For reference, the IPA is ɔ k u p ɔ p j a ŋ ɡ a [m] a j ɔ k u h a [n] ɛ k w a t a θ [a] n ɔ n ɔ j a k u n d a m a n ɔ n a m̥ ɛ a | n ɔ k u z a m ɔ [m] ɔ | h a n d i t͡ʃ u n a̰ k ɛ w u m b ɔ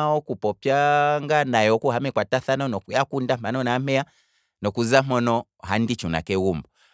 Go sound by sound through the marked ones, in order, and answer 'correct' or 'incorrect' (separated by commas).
incorrect, incorrect, correct, incorrect